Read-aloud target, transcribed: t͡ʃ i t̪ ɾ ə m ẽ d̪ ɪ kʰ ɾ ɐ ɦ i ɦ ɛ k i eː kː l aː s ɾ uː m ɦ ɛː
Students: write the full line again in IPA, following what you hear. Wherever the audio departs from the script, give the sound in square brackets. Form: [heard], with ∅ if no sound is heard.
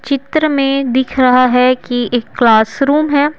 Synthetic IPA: t͡ʃ [ɪ] t̪ ɾ ə m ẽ d̪ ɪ kʰ ɾ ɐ ɦ [a] ɦ ɛ k i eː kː l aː s ɾ uː m ɦ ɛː